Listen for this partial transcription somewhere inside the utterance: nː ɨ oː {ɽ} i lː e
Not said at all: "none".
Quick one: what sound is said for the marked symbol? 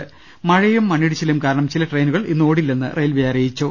ɽ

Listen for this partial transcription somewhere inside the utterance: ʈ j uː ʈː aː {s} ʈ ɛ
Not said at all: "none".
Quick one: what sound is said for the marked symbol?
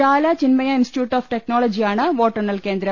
f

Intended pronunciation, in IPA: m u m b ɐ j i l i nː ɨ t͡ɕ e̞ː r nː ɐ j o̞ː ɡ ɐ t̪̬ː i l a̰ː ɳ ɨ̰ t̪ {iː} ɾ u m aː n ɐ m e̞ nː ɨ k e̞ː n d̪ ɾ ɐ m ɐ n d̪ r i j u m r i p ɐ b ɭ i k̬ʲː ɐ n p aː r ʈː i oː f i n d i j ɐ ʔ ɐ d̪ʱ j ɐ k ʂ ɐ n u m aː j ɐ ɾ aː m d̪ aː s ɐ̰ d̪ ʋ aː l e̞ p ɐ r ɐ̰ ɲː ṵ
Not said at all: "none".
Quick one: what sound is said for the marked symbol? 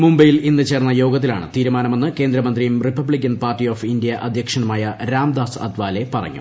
iː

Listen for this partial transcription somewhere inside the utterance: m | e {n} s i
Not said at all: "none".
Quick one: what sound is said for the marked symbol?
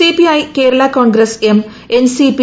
n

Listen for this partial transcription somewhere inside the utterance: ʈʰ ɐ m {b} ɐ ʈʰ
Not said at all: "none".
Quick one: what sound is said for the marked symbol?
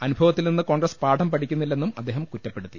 p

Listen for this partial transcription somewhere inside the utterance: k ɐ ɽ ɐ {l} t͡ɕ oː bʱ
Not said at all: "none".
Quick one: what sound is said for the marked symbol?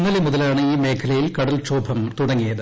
l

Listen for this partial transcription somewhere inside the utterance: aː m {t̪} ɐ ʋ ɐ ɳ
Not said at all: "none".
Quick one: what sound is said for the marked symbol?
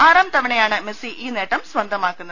t̪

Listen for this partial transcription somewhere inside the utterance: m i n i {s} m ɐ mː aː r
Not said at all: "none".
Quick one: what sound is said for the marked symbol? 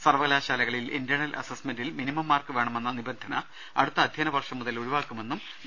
none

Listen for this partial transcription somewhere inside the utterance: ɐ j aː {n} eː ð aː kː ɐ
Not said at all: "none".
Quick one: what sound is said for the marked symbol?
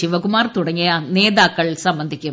n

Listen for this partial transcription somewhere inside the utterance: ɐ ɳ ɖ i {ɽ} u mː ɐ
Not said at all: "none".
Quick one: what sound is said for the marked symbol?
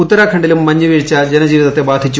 l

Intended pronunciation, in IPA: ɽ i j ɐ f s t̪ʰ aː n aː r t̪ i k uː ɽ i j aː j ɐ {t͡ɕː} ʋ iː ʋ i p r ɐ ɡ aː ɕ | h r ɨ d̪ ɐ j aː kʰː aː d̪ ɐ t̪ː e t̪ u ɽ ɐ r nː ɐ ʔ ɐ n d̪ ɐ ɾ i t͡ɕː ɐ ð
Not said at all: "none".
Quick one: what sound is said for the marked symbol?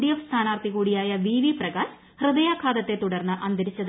none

